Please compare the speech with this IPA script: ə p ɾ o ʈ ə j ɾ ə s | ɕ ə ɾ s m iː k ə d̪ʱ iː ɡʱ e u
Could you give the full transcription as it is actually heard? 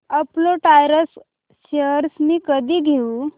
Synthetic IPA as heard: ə p l o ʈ a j ɾ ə s | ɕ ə ɾ s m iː k ə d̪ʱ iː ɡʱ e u